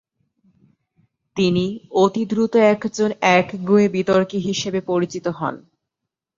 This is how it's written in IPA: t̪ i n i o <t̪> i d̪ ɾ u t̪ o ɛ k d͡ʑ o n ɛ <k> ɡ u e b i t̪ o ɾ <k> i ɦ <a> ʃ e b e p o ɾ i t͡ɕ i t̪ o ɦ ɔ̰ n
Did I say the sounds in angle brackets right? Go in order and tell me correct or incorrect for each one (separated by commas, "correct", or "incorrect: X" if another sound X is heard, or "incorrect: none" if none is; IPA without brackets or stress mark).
correct, correct, correct, incorrect: i